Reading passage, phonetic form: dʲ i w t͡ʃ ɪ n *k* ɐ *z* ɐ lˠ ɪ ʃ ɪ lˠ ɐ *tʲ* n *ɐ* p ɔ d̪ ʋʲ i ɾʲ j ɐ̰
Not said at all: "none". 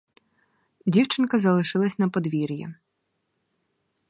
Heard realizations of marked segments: k, z, sʲ, ɐ

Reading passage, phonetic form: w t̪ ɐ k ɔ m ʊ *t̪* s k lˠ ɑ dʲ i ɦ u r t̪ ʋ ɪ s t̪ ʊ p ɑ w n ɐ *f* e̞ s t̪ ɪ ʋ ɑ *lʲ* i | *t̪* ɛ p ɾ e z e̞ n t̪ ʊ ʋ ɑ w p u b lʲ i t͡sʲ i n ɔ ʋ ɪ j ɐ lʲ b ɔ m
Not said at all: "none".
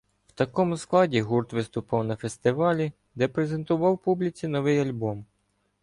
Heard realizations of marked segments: none, f, lʲ, d̪

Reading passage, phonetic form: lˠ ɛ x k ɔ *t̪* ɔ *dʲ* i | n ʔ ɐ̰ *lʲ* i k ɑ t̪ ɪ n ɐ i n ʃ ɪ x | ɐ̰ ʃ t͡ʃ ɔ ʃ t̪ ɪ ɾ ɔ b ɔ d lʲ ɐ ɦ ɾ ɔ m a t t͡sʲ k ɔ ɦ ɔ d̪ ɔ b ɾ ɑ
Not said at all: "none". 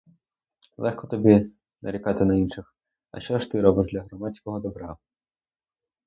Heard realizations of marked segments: t̪, bʲ, ɾʲ

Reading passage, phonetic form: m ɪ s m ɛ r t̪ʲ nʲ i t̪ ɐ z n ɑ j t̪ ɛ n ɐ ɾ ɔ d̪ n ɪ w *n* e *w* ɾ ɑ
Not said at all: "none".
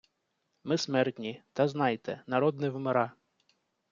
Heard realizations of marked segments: m, none

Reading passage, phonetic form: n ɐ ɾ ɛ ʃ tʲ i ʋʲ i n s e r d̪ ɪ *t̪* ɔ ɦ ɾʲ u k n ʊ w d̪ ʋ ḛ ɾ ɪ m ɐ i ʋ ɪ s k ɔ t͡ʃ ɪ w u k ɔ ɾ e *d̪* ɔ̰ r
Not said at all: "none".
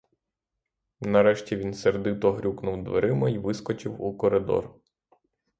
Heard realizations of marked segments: t̪, d̪

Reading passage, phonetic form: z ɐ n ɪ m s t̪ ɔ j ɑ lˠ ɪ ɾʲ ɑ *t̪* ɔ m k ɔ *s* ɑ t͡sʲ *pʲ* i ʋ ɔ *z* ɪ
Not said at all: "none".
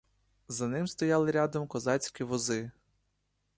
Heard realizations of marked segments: d̪, z, kʲ, z

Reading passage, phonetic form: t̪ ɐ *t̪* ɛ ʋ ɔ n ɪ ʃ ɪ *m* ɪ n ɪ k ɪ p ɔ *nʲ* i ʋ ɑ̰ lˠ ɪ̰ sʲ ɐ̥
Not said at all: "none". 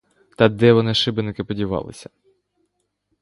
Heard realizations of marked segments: d̪, b, dʲ

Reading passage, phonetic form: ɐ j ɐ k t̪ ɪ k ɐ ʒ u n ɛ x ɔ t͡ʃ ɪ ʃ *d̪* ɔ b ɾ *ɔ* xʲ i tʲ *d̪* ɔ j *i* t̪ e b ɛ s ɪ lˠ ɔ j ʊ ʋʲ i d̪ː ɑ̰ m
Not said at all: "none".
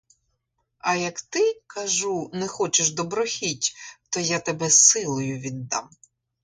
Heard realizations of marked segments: d̪, ɔ, t̪, a

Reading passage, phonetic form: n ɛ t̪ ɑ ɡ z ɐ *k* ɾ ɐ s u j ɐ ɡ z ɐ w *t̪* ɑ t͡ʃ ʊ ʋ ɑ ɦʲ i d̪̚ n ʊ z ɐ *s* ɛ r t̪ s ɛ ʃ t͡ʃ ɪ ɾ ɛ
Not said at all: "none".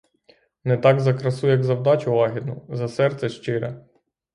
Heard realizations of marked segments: k, d̪, s

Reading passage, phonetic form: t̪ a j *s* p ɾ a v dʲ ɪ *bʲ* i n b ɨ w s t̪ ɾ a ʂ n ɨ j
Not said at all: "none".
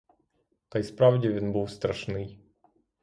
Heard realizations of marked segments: s, vʲ

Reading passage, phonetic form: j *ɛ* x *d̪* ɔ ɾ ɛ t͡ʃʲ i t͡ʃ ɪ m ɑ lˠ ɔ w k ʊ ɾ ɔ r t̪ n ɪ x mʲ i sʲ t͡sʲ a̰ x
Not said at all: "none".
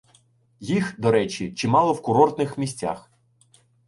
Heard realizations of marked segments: i, d̪

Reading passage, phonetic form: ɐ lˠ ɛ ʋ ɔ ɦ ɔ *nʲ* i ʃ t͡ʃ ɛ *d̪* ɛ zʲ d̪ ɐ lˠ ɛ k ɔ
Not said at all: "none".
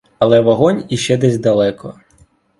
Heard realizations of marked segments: nʲ, d̪

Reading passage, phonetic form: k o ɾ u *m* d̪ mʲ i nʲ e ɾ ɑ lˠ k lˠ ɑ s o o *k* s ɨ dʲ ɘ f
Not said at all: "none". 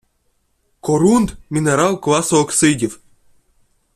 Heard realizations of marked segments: n, k

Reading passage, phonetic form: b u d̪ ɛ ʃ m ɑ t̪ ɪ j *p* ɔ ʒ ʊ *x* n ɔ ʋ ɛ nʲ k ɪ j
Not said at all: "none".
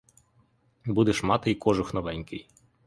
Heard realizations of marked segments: k, x

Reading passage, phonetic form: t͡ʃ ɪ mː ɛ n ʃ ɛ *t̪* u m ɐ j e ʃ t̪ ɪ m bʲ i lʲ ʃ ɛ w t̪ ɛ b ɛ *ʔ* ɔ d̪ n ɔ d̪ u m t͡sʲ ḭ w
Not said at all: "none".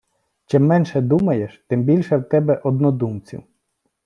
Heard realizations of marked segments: d̪, ʔ

